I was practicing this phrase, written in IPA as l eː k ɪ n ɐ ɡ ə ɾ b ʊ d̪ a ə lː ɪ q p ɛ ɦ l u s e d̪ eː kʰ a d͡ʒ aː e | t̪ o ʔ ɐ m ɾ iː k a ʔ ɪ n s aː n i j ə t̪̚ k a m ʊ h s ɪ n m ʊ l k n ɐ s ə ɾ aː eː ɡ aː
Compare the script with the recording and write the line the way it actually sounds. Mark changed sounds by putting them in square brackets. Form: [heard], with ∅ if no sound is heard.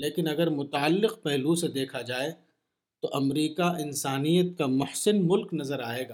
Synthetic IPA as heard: l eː k ɪ n ɐ ɡ ə ɾ [m] ʊ [t̪] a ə lː ɪ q p ɛ ɦ l u s e d̪ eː kʰ a d͡ʒ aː e | t̪ o ʔ ɐ m ɾ iː k a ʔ ɪ n s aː n i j ə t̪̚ k a m ʊ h s ɪ n m ʊ l k n ɐ [z] ə ɾ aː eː ɡ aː